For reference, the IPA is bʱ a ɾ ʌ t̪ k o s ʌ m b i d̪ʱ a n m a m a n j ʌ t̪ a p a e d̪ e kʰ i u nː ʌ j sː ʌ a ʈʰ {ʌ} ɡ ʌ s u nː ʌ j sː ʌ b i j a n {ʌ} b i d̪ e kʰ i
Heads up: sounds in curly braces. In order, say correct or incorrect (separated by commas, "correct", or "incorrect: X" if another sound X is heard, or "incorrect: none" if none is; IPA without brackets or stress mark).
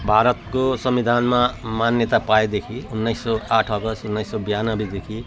correct, correct